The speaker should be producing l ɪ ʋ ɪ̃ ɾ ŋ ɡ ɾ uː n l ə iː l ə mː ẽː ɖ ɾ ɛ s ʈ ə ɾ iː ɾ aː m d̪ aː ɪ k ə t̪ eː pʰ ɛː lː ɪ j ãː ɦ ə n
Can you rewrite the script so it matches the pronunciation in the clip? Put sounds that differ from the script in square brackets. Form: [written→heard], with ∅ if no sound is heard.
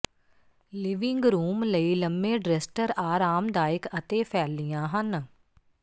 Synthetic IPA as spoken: l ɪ ʋ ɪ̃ [ɾ→∅] ŋ ɡ ɾ uː [n→m] l ə iː l ə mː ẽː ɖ ɾ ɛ s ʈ ə ɾ [iː→aː] ɾ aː m d̪ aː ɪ k ə t̪ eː pʰ ɛː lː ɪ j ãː ɦ ə n